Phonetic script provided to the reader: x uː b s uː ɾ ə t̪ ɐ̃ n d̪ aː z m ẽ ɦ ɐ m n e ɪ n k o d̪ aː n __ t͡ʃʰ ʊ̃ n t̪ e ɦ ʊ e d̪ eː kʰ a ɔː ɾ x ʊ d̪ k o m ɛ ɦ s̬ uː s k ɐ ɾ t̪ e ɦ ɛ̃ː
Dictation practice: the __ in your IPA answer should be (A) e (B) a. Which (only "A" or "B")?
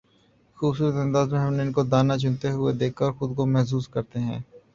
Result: B